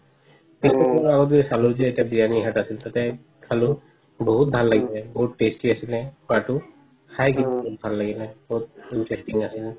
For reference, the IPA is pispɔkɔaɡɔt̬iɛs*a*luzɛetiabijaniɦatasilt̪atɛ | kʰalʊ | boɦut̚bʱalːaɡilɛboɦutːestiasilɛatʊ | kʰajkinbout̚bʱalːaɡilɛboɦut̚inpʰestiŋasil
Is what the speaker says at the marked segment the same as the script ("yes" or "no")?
yes